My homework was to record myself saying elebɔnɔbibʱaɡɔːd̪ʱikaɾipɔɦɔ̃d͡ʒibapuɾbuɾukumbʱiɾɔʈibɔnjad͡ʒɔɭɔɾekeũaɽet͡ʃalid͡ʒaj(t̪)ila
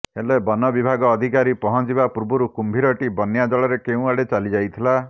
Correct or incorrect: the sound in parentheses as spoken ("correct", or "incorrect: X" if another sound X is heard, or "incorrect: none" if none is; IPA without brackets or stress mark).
incorrect: t̪ʰ